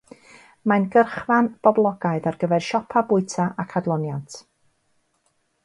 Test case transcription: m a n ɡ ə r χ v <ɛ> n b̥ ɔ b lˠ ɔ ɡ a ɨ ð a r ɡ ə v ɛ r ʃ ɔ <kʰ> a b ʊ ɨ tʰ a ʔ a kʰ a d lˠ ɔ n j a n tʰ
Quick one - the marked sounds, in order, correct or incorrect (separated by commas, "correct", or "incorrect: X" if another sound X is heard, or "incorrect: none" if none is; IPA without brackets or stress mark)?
incorrect: a, incorrect: pʰ